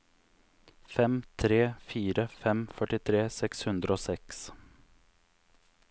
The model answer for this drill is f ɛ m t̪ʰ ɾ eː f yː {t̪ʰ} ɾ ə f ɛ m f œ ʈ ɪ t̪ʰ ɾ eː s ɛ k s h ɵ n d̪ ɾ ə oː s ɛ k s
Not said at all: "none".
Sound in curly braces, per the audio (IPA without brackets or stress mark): none